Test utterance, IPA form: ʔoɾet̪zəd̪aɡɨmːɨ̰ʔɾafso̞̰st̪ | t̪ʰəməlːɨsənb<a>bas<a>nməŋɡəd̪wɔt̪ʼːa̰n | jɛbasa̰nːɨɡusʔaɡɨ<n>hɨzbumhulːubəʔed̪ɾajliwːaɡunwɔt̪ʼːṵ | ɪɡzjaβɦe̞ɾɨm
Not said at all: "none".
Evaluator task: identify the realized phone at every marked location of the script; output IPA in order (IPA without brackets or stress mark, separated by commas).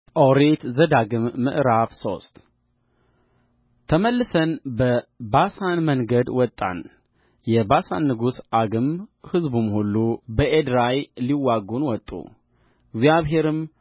ə, a, m